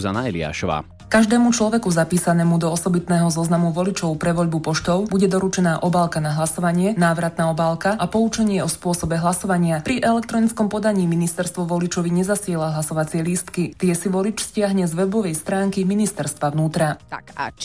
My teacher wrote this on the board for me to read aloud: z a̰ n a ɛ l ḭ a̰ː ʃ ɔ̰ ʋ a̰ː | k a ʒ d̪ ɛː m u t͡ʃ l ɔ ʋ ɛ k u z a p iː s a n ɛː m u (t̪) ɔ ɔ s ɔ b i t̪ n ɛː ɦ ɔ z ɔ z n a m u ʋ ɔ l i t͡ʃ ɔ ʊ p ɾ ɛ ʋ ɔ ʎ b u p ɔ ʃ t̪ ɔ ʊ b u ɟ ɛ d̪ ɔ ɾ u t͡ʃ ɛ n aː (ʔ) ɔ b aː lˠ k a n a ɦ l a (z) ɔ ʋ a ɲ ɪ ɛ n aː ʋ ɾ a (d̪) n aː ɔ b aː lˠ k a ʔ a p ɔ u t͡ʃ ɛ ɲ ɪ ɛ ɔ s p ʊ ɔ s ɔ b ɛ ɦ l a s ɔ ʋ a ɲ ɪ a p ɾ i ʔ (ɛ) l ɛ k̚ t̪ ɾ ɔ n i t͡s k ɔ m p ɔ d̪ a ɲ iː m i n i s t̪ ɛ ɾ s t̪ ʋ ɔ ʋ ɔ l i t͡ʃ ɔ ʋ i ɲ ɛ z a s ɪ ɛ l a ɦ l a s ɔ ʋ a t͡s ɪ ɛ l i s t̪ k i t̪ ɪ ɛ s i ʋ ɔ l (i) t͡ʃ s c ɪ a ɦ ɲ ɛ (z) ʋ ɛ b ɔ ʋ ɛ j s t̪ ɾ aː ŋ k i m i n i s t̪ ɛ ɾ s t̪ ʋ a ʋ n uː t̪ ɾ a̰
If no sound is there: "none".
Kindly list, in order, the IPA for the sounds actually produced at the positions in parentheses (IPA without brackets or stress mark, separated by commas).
d̪, ʔ, s, t̪, ɛ, i, z